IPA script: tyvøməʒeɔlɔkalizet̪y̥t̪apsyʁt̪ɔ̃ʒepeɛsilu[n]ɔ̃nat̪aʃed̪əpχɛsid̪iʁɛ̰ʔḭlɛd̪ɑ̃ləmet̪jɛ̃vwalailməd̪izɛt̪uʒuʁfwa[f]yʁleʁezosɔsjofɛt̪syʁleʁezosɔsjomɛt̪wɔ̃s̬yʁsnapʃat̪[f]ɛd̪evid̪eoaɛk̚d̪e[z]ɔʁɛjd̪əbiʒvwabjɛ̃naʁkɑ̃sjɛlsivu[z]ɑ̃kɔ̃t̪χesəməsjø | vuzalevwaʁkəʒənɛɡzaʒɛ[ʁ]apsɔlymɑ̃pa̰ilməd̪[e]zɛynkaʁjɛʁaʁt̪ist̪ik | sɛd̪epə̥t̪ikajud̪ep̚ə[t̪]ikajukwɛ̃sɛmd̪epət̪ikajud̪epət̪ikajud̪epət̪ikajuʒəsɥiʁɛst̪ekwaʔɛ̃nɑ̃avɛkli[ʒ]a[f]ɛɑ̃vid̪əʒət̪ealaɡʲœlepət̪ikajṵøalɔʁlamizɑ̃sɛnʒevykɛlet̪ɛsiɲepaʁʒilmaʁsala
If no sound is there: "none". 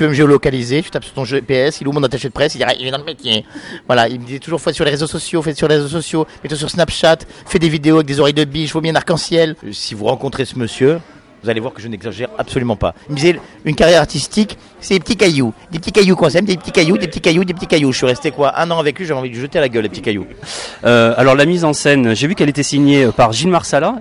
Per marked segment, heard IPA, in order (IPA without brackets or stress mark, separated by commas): m, s, f, z, ʁ, ʁ, i, t̪, ʒ, v